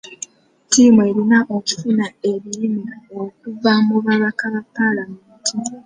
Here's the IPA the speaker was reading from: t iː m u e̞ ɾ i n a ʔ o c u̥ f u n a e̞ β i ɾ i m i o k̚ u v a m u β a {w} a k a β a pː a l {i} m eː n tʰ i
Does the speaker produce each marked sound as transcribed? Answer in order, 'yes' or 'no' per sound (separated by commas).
no, no